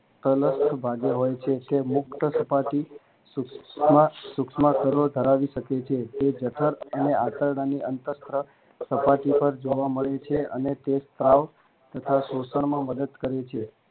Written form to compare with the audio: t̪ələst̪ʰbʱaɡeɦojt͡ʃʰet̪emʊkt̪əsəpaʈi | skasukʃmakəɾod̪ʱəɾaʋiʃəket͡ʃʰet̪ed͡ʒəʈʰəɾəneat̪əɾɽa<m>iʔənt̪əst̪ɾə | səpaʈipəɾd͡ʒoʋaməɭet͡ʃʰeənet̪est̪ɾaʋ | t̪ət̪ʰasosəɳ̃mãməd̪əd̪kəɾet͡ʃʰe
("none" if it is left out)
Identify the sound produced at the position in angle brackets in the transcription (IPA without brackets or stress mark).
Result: n